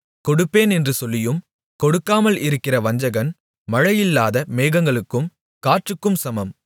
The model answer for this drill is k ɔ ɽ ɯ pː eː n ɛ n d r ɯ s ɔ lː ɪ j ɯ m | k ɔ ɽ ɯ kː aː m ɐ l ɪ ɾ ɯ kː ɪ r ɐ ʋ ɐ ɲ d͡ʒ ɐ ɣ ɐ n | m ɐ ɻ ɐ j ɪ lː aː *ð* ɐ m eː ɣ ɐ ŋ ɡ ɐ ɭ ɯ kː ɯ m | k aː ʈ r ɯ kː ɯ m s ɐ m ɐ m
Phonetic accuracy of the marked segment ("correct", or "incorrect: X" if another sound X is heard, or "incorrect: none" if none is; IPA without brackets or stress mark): correct